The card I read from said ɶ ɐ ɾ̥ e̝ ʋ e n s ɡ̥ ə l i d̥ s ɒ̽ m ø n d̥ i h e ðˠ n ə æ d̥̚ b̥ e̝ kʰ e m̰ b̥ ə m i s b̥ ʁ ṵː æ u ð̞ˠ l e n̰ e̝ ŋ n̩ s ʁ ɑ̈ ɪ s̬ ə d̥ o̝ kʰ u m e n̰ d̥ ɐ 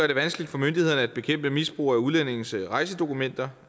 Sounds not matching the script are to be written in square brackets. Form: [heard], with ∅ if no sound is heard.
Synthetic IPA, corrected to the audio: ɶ ɐ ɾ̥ e̝ ʋ [æ] n s ɡ̥ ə l i d̥ [f] ɒ̽ m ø n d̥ i h e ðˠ n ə æ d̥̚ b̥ e̝ kʰ e m̰ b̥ ə m i s b̥ ʁ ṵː æ u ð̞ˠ l e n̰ e̝ ŋ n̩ s ʁ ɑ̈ ɪ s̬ ə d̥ o̝ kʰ u m e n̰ d̥ ɐ